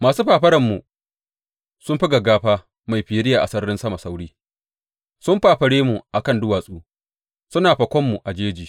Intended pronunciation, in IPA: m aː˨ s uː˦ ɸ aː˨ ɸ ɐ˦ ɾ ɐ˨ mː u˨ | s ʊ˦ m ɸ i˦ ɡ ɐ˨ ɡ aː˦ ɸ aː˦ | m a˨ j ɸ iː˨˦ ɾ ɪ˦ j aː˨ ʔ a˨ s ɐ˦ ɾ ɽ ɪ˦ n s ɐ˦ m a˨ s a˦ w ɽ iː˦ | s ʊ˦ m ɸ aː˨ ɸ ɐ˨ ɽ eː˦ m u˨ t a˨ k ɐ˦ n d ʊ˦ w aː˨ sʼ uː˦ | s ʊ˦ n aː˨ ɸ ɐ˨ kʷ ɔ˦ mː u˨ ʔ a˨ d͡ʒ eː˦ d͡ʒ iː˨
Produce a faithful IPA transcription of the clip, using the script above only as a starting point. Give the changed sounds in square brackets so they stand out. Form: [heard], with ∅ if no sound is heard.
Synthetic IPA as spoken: m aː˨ s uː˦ ɸ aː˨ ɸ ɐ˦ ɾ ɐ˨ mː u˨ | s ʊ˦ m ɸ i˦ ɡ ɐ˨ ɡ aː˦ ɸ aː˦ | m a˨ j ɸ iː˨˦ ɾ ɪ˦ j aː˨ ʔ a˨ s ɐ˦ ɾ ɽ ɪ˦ n s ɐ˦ m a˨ s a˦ w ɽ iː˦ | s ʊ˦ m ɸ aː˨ ɸ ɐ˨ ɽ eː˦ m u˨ [ʔ] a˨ k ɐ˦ n d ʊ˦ w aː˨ sʼ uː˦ | s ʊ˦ n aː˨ ɸ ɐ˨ kʷ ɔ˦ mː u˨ ʔ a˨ d͡ʒ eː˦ d͡ʒ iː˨